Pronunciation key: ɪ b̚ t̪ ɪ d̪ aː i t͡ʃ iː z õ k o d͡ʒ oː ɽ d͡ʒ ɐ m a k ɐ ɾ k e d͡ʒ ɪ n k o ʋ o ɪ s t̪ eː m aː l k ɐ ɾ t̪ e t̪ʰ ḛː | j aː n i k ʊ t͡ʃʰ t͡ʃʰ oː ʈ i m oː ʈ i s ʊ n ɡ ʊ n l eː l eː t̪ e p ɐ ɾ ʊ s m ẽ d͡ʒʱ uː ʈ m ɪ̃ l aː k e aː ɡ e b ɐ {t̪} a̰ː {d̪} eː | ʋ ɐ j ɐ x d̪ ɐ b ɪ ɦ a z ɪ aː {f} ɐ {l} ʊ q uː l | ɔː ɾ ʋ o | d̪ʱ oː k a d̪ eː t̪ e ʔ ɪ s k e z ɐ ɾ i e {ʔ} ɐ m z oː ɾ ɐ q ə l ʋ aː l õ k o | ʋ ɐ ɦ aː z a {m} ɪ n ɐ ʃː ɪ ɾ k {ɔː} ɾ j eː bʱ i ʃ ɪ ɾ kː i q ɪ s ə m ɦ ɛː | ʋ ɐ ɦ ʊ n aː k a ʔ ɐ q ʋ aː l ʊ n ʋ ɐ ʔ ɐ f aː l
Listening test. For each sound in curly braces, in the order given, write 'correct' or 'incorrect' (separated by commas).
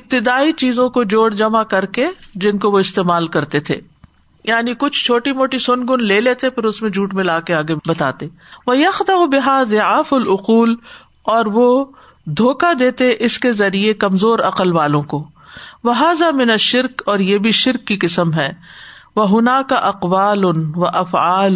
correct, incorrect, correct, correct, incorrect, correct, correct